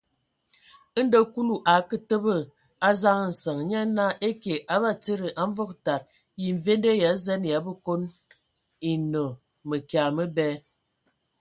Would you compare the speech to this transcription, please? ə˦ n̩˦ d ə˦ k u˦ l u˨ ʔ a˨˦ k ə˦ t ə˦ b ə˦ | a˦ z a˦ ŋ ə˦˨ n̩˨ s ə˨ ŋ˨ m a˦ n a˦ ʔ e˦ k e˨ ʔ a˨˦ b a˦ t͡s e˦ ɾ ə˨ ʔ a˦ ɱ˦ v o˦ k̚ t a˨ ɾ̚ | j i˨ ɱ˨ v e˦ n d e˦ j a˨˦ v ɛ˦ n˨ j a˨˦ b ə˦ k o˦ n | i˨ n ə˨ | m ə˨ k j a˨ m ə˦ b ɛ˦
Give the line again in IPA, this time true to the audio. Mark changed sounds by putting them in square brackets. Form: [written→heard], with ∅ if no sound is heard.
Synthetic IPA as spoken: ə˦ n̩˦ d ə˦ k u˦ l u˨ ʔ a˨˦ k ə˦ t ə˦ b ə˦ | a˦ z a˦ ŋ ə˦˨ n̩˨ s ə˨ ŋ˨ [m→ɲ] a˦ n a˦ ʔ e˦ k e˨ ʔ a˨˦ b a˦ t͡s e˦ ɾ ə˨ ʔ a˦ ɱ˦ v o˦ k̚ t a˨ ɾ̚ | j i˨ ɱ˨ v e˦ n d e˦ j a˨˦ [v→z] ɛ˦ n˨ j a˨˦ b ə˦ k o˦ n | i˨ n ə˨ | m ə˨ k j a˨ m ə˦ b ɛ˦